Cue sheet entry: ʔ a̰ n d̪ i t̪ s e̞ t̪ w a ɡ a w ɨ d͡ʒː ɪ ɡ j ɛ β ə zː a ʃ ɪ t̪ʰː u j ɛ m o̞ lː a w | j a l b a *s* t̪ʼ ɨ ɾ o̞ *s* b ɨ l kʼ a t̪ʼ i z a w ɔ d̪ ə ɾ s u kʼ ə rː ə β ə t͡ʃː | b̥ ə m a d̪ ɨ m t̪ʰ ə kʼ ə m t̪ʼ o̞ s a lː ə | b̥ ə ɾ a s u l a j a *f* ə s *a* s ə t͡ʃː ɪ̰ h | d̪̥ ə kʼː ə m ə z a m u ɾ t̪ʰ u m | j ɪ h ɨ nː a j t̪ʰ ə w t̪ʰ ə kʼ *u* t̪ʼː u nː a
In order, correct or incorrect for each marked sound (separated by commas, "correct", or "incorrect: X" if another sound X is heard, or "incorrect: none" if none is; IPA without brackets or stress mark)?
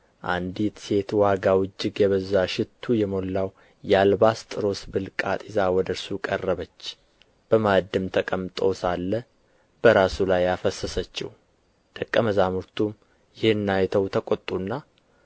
correct, correct, correct, incorrect: ə, incorrect: o